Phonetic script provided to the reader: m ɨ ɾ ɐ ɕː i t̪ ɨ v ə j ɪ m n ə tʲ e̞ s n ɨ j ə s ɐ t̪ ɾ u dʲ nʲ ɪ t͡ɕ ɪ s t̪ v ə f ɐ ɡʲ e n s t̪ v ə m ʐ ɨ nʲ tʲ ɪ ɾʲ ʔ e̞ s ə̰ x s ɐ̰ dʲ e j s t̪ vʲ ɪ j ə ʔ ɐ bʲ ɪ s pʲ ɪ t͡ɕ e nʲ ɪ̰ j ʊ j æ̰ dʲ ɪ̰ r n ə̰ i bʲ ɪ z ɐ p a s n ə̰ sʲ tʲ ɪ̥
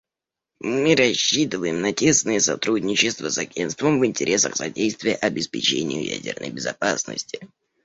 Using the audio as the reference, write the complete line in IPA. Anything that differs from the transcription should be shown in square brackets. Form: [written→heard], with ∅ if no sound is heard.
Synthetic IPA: m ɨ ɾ ɐ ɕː i t̪ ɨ v ə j ɪ m n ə tʲ e̞ s n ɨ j ə s ɐ t̪ ɾ u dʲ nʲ ɪ t͡ɕ ɪ s t̪ v ə [f→s] ɐ ɡʲ e n s t̪ v ə m [ʐ→v] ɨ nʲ tʲ ɪ ɾʲ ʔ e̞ s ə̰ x s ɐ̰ dʲ e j s t̪ vʲ ɪ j ə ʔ ɐ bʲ ɪ s pʲ ɪ t͡ɕ e nʲ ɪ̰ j ʊ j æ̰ dʲ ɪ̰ r n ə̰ [i→j] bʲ ɪ z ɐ p a s n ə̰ sʲ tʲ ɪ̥